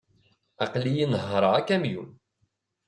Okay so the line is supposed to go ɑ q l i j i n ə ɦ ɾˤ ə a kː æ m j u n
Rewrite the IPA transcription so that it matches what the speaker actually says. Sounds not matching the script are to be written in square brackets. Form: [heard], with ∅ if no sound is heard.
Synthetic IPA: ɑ q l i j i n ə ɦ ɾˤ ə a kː æ m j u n